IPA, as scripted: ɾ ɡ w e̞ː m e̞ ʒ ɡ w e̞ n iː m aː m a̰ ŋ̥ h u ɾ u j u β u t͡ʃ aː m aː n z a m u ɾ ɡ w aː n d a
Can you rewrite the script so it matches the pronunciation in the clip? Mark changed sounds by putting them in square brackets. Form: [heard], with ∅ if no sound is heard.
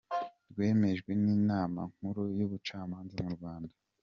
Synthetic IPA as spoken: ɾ ɡ w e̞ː m e̞ ʒ ɡ w e̞ n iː [n] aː m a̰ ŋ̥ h u ɾ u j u β u t͡ʃ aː m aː n z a m u ɾ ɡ w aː n d a